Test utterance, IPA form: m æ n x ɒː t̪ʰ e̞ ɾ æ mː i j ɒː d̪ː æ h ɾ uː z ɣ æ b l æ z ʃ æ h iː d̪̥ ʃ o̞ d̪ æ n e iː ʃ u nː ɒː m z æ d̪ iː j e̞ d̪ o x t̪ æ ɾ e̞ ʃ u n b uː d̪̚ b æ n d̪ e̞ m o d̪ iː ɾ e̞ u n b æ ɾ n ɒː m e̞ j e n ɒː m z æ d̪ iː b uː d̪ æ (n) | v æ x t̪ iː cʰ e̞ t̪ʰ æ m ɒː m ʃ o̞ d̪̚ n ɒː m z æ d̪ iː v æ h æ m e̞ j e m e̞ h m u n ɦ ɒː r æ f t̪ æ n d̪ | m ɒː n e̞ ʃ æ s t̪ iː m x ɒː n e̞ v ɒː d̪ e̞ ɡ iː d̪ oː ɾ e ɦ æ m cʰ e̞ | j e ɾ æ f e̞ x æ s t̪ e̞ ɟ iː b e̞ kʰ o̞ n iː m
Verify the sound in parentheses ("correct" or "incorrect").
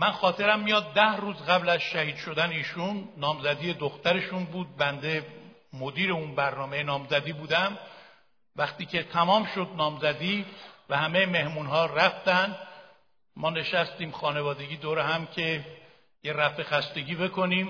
incorrect